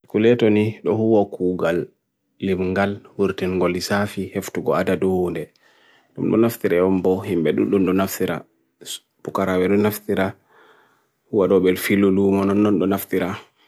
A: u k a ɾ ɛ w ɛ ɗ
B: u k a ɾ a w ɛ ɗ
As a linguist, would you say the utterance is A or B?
B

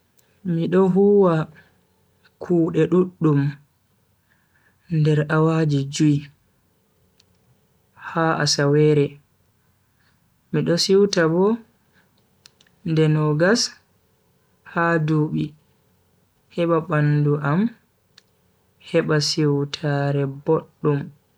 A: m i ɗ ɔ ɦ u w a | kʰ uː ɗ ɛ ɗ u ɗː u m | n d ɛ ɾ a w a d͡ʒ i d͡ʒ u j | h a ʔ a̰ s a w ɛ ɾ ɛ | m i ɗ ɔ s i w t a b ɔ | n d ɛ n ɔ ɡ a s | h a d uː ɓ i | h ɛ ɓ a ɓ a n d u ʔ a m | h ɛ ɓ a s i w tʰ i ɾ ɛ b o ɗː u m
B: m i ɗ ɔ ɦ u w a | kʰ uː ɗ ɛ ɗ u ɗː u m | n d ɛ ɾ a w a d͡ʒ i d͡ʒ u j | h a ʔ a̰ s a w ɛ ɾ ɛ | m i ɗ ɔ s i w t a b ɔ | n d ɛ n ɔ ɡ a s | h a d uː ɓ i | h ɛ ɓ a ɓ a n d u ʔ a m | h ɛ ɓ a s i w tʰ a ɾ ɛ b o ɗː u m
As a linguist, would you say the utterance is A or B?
B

